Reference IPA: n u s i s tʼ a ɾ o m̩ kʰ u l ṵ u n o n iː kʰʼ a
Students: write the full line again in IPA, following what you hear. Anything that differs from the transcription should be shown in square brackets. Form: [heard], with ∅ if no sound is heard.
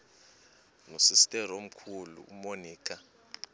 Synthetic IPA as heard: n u s i s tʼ [ɛ] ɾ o m̩ kʰ u l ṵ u [m] o n iː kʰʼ a